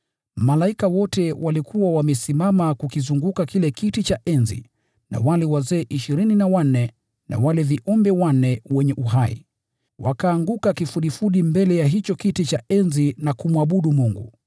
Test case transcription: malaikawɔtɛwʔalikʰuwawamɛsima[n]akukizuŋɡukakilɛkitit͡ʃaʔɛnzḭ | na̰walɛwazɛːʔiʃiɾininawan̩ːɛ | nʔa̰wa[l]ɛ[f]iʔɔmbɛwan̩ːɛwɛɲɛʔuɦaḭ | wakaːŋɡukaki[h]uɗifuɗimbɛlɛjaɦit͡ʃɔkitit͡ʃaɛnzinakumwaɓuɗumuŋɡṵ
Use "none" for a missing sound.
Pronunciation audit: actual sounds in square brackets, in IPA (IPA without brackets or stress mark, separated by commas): m, l, v, f